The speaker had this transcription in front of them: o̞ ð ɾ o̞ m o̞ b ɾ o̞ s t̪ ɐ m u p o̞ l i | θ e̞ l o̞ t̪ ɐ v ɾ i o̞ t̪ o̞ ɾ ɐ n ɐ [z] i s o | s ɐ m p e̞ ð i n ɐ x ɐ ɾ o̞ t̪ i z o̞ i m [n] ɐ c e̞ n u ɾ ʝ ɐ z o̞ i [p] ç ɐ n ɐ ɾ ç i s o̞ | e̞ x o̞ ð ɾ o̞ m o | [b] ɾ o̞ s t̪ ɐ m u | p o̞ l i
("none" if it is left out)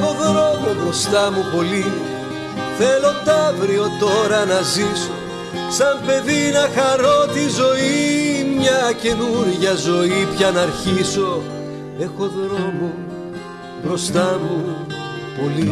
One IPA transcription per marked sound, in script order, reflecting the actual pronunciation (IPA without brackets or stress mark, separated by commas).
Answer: z, ɲ, p, b